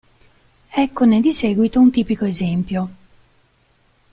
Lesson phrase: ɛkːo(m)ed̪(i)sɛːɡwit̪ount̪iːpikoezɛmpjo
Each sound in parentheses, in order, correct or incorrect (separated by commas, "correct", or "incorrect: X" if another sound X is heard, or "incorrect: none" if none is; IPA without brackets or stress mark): incorrect: n, correct